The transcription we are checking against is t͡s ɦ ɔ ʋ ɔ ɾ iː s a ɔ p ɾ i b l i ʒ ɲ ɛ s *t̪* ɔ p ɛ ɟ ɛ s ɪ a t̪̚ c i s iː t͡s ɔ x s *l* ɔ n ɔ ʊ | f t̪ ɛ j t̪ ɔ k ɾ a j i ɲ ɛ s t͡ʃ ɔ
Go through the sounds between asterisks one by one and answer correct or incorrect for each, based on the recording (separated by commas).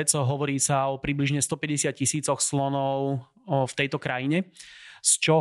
correct, correct